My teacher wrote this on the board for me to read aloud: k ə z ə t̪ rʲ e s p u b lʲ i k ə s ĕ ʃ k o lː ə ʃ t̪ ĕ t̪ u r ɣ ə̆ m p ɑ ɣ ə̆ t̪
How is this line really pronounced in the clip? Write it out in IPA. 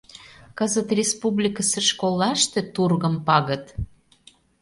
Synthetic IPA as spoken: k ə z ə t̪ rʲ e s p u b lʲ i k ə s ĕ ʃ k o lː ɑ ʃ t̪ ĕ t̪ u r ɣ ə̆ m p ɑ ɣ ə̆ t̪